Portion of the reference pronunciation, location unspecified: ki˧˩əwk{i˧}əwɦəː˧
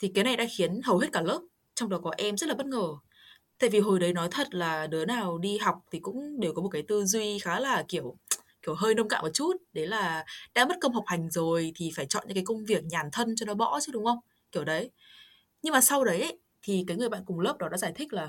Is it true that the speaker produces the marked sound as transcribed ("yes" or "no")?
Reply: no